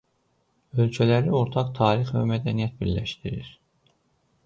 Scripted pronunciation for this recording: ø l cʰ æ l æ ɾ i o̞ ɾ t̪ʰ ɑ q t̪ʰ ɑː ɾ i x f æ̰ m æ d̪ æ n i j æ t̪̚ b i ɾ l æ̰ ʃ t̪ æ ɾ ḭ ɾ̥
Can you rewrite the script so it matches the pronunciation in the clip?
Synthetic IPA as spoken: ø l cʰ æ l æ ɾ i o̞ ɾ t̪ʰ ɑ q t̪ʰ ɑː ɾ i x v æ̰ m æ d̪ æ n i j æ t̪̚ b i ɾ l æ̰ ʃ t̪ i ɾ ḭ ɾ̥